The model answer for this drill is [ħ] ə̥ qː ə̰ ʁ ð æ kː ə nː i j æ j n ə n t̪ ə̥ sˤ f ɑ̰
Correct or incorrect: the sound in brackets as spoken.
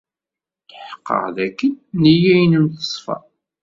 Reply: correct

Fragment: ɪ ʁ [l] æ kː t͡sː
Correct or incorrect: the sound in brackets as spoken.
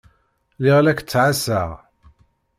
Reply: correct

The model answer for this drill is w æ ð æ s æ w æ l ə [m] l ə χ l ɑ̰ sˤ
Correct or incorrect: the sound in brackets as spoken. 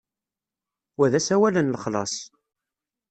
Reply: incorrect: n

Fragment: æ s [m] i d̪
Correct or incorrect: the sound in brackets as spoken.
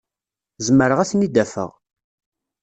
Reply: incorrect: n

